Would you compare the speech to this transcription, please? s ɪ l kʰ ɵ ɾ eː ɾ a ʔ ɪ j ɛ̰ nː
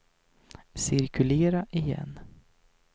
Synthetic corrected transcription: s ɪ ɾ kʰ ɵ l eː ɾ a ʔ ɪ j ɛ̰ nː